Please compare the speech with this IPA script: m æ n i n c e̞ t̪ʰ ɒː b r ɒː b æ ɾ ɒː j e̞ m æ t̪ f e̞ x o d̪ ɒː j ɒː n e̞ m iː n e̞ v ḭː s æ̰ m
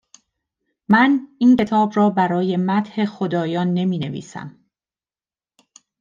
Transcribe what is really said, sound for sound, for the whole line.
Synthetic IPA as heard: m æ n i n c e̞ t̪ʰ ɒː b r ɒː b æ ɾ ɒː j e̞ m æ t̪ h e̞ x o d̪ ɒː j ɒː nː e̞ m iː n e̞ v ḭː s æ̰ m